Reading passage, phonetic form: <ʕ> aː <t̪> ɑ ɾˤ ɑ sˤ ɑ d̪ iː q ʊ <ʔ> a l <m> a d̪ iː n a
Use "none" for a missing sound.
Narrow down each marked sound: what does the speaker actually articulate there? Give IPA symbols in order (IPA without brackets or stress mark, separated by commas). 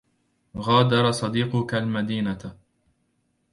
ɣ, d̪, k, m